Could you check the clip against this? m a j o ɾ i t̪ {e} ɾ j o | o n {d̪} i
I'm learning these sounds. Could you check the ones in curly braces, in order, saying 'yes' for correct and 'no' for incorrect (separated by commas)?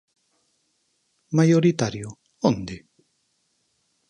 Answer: no, yes